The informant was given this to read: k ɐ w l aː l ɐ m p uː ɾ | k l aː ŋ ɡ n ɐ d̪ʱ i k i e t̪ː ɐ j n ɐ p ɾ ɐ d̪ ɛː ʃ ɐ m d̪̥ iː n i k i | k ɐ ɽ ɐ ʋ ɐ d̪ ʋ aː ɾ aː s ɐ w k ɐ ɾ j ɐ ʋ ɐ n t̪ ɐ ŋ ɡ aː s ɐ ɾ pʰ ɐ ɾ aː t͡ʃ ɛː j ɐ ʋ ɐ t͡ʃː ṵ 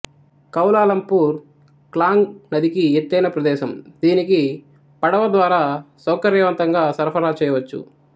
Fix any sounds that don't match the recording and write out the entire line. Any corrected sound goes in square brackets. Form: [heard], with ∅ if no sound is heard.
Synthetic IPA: k ɐ w l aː l ɐ m p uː ɾ | k l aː ŋ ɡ n ɐ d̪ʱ i k i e t̪ː ɐ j n ɐ p ɾ ɐ d̪ ɛː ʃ ɐ m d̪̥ iː n i k i | [p] ɐ ɽ ɐ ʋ ɐ d̪ ʋ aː ɾ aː s ɐ w k ɐ ɾ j ɐ ʋ ɐ n t̪ ɐ ŋ ɡ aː s ɐ ɾ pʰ ɐ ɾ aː t͡ʃ ɛː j ɐ ʋ ɐ t͡ʃː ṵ